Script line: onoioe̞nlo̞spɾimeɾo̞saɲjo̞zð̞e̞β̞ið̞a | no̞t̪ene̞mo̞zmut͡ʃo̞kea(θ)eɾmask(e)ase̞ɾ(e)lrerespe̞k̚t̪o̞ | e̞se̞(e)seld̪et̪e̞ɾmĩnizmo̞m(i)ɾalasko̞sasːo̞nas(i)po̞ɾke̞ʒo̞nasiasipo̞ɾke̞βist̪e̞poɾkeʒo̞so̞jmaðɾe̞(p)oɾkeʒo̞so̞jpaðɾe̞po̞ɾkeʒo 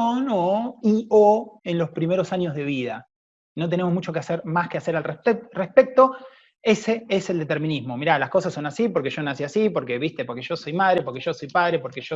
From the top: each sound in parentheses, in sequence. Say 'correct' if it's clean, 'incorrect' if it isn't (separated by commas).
incorrect, correct, incorrect, correct, correct, correct, correct